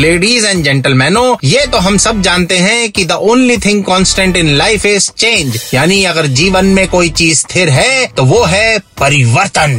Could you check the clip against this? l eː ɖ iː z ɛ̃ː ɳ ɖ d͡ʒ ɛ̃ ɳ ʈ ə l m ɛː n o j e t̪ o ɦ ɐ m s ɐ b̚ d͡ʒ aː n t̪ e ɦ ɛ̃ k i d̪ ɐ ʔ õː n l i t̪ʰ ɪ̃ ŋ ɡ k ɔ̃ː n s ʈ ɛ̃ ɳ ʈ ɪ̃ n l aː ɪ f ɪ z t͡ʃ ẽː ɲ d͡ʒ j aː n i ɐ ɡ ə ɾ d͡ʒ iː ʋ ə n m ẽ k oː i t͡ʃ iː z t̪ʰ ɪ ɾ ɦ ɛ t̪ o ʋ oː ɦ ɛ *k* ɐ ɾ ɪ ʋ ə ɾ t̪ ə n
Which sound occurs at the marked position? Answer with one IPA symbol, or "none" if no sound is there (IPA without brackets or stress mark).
p